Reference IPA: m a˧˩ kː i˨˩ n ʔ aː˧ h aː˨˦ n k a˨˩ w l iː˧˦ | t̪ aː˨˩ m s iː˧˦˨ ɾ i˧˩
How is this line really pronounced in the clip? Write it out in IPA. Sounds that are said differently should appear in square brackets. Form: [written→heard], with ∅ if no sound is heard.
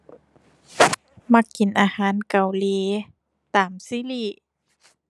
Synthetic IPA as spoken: m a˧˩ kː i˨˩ n ʔ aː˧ h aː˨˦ n k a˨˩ w l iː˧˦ | t̪ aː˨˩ m s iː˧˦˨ [ɾ→l] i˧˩